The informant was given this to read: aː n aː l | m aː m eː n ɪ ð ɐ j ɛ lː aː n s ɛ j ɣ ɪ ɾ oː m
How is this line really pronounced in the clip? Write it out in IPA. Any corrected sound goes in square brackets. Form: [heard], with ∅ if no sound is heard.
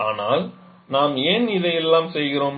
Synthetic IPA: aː n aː l | [n] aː m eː n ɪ ð ɐ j ɛ lː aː [m] s ɛ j ɣ ɪ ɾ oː m

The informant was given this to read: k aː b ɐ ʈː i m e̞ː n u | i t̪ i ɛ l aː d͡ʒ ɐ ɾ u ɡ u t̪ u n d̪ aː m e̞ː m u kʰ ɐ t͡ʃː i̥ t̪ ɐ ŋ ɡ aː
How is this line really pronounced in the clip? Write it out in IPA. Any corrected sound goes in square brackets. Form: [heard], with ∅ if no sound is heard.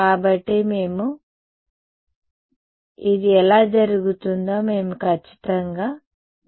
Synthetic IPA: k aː b ɐ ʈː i m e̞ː [m] u | i [d̪] i ɛ l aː d͡ʒ ɐ ɾ u ɡ u t̪ u n d̪ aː m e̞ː m u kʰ ɐ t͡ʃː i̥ t̪ ɐ ŋ ɡ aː

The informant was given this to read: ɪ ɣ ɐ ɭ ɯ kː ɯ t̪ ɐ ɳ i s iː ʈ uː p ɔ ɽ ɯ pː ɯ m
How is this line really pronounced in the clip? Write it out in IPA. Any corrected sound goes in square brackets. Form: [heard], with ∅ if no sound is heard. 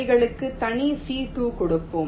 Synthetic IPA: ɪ ɣ ɐ ɭ ɯ kː ɯ t̪ ɐ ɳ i s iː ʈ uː [k] ɔ ɽ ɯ pː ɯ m

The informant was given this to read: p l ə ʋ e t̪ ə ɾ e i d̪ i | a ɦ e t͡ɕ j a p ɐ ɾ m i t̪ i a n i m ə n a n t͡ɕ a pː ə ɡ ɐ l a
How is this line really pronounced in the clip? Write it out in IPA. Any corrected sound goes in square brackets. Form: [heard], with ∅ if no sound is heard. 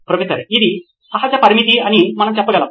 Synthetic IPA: p [ɾ] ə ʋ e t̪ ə ɾ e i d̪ i | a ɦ [a] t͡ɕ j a p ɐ ɾ m i t̪ i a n i m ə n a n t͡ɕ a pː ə ɡ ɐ l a

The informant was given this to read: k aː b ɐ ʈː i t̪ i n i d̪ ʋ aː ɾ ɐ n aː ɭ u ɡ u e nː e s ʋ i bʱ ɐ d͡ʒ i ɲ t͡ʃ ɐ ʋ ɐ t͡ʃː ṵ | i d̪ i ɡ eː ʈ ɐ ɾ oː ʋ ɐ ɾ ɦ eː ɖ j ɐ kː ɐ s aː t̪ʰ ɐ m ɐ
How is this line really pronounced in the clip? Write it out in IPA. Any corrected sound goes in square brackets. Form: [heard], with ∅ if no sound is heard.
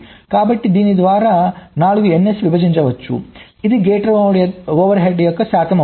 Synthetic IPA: k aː b ɐ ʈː i [d̪] i n i d̪ ʋ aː ɾ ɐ n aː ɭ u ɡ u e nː e s ʋ i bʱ ɐ d͡ʒ i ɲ t͡ʃ ɐ ʋ ɐ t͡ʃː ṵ | i d̪ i ɡ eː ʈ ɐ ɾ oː ʋ ɐ ɾ ɦ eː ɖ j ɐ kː ɐ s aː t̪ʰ ɐ m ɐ

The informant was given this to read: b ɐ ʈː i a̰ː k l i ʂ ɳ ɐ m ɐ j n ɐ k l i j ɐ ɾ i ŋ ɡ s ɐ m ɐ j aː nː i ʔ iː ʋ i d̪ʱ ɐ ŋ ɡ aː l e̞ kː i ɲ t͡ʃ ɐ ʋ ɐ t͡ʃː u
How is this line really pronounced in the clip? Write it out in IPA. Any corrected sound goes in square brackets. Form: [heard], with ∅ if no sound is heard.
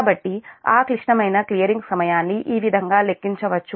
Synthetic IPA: b ɐ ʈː i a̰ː k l i ʂ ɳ ɐ m ɐ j n ɐ k l i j ɐ ɾ i ŋ ɡ s ɐ m ɐ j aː nː i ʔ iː ʋ i d̪ʱ ɐ ŋ ɡ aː l e̞ kː i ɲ t͡ʃ ɐ ʋ ɐ t͡ʃː u

